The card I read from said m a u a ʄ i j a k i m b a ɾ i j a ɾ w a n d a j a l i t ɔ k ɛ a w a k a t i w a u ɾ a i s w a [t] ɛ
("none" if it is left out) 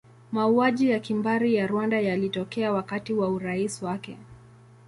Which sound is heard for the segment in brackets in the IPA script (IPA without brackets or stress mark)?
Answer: k